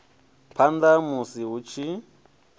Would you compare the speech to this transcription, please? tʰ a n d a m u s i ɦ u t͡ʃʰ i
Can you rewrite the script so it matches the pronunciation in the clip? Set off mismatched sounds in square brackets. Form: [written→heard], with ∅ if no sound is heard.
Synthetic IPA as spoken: [tʰ→pʰ] a n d a m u s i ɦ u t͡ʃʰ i